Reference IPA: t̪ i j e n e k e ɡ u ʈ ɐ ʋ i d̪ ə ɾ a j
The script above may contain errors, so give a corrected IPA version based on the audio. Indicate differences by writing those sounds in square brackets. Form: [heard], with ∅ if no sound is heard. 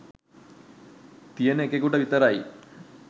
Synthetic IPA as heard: t̪ i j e n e k e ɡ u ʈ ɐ ʋ i [t̪] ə ɾ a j